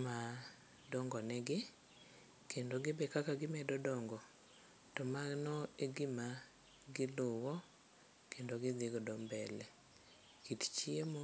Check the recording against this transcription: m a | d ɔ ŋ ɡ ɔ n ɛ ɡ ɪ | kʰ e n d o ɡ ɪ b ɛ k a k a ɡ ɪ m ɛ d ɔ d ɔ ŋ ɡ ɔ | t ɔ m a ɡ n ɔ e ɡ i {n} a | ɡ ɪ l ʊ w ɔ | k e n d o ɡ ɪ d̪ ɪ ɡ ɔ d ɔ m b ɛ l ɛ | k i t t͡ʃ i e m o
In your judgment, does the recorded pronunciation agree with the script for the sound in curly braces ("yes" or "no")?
no